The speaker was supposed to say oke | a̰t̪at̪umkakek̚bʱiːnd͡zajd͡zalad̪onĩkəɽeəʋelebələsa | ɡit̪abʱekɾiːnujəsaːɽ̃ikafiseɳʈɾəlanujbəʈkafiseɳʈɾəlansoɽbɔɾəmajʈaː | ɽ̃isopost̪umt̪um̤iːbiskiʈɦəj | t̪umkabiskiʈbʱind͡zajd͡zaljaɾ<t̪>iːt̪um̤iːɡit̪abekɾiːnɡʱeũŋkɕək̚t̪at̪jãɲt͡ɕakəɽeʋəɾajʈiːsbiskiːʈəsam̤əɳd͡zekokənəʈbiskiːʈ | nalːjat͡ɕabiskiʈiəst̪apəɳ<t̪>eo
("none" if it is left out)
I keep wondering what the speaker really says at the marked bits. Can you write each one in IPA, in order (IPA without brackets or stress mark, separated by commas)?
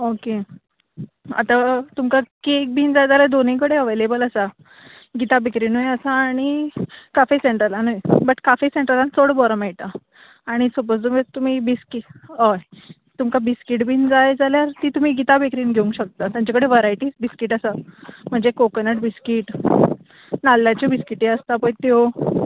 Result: t̪, t̪